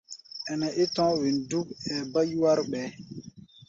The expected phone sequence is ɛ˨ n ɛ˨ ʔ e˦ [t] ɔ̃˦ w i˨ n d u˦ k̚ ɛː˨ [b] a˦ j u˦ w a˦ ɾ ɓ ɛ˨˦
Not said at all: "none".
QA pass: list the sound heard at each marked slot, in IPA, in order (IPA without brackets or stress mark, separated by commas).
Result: t, b